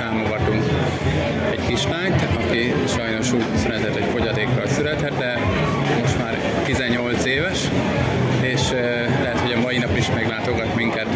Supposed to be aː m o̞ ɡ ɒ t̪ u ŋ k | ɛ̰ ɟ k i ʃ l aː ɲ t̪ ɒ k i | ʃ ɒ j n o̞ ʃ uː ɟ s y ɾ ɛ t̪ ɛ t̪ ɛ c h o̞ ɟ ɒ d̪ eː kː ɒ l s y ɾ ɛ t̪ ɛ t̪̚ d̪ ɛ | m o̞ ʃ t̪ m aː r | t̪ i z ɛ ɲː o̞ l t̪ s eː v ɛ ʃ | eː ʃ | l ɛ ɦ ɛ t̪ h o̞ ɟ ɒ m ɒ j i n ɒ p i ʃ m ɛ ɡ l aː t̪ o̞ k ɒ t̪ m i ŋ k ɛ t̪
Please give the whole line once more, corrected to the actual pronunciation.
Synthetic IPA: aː m o̞ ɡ ɒ t̪ u ŋ k | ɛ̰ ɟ k i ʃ l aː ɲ t̪ ɒ k i | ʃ ɒ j n o̞ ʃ uː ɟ s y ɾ ɛ t̪ ɛ t̪ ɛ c f o̞ ɟ ɒ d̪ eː kː ɒ l s y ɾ ɛ t̪ ɛ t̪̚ d̪ ɛ | m o̞ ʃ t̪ m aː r | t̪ i z ɛ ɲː o̞ l t̪ s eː v ɛ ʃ | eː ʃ | l ɛ ɦ ɛ t̪ h o̞ ɟ ɒ m ɒ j i n ɒ p i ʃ m ɛ ɡ l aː t̪ o̞ ɡ ɒ t̪ m i ŋ k ɛ t̪